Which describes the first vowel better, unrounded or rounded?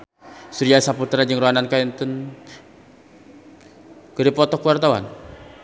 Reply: rounded